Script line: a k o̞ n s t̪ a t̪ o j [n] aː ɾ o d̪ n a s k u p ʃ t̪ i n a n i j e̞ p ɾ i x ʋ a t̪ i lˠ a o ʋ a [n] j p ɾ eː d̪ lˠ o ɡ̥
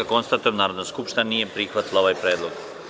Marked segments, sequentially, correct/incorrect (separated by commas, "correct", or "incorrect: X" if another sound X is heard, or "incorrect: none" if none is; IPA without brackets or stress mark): correct, incorrect: none